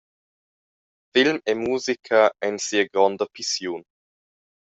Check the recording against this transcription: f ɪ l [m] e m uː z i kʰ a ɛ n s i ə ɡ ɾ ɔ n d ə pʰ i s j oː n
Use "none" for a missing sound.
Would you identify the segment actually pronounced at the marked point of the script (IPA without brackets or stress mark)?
m